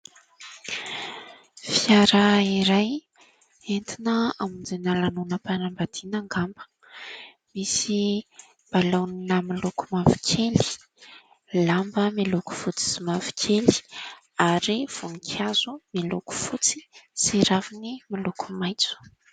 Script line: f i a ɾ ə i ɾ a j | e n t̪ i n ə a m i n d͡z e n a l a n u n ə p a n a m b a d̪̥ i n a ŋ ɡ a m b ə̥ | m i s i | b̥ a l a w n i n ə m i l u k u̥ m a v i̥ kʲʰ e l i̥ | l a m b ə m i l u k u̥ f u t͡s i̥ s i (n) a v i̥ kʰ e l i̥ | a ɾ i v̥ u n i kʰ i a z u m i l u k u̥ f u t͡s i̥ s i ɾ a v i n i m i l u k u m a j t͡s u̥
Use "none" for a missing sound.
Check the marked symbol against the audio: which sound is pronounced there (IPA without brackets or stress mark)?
m